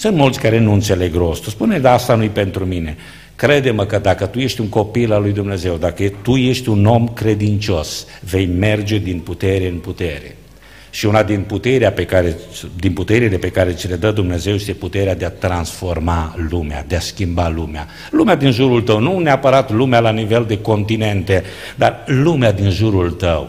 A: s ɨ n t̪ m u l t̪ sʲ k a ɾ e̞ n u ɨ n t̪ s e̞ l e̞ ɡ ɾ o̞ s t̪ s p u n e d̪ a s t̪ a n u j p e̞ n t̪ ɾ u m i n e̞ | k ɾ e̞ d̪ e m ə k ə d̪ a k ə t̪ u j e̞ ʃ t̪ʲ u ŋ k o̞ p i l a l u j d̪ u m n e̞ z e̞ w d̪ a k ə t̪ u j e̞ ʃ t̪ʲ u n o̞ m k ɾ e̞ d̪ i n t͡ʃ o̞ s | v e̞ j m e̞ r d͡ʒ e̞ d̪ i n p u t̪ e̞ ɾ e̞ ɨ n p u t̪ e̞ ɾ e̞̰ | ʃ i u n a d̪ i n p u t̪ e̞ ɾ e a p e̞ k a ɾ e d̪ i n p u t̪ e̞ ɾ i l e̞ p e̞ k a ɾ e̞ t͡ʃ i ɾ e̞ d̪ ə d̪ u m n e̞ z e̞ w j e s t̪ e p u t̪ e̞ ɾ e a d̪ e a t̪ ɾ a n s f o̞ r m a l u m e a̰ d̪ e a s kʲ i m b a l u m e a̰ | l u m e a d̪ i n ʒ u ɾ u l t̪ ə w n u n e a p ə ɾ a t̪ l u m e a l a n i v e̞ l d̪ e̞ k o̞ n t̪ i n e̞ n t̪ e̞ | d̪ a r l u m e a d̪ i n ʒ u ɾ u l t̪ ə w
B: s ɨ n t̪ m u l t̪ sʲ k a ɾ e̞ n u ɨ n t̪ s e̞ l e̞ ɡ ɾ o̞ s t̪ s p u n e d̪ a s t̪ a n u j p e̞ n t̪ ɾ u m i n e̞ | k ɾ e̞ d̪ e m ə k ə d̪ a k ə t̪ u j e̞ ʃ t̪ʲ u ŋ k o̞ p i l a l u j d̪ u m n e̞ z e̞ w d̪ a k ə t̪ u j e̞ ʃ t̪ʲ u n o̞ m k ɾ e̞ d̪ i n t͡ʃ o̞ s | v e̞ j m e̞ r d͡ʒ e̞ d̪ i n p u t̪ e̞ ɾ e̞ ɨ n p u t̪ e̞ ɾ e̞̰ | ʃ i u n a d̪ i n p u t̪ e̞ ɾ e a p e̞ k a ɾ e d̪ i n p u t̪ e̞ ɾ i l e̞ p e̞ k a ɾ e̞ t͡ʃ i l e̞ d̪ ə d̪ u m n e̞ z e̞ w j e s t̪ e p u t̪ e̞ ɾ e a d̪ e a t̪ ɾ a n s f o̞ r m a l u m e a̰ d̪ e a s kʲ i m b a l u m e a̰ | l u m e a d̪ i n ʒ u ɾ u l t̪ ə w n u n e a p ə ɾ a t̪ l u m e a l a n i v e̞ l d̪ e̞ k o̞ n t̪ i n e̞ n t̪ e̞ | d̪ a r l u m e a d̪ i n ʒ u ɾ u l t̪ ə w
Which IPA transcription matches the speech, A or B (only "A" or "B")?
B